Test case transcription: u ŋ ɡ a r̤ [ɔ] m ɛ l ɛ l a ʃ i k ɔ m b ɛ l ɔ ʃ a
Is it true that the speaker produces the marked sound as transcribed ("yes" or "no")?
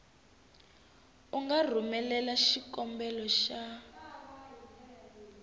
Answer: no